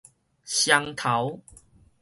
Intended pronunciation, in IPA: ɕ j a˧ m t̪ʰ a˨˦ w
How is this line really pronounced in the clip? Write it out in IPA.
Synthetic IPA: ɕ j a˧ ŋ t̪ʰ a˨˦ w